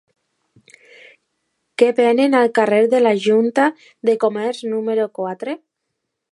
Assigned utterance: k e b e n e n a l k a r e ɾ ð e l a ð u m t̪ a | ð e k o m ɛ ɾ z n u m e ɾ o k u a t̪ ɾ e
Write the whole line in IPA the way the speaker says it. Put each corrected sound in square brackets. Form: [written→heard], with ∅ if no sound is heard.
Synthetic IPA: k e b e n e n a l k a r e ɾ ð e l a [ð→ʒ] u [m→n] t̪ a | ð e k o m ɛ ɾ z n u m e ɾ o k [u→w] a t̪ ɾ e